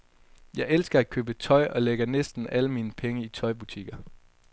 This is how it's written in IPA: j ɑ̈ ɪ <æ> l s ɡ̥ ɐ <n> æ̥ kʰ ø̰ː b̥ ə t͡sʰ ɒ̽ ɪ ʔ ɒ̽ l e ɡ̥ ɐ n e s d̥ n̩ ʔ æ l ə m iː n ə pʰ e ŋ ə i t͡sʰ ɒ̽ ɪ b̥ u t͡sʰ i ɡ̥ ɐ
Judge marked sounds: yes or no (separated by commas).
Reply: no, no